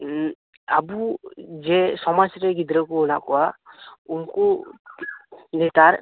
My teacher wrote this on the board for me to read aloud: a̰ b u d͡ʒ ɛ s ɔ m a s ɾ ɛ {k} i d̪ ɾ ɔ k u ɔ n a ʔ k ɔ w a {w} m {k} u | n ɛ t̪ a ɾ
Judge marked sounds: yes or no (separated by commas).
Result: no, no, yes